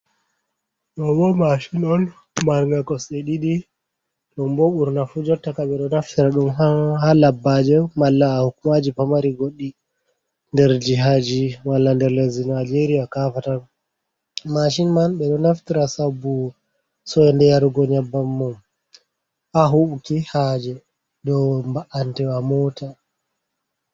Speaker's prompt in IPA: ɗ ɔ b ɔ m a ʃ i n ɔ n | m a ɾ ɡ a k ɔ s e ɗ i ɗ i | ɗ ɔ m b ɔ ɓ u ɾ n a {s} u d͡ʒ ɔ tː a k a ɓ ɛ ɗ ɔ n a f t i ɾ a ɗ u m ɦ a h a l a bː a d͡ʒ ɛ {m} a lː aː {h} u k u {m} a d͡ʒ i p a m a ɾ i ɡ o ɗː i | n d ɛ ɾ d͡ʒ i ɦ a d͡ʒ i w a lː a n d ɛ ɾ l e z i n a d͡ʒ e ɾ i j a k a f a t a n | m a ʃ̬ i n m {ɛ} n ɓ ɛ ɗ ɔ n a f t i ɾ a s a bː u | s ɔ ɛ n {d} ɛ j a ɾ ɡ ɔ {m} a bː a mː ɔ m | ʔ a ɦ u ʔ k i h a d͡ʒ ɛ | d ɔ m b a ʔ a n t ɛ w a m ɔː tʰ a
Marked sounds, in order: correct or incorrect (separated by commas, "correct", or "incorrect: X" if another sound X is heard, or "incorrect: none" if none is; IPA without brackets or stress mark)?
incorrect: f, correct, correct, correct, incorrect: a, correct, incorrect: ɲ